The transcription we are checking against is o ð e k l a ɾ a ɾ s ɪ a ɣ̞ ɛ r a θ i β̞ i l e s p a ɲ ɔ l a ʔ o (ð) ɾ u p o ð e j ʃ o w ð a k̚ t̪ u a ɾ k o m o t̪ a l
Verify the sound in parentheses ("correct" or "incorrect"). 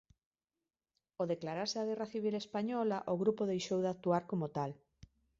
incorrect